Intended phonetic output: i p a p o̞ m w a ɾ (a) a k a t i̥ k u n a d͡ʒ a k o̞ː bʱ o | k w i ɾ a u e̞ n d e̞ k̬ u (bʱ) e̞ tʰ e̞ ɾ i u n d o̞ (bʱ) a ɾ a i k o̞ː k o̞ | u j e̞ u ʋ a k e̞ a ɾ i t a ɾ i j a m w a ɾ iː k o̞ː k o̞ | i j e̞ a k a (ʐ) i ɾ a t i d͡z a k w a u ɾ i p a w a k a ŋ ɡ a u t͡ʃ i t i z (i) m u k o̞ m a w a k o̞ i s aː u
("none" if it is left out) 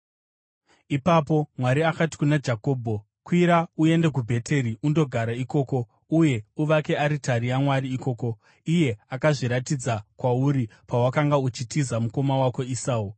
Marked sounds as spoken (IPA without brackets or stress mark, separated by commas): i, bʱ, ɡʱ, ʐ, a